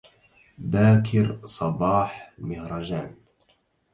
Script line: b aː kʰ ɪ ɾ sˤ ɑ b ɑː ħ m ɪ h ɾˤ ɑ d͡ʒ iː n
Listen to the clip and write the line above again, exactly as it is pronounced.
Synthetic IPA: b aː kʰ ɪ ɾ sˤ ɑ b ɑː ħ m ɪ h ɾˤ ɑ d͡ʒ aː n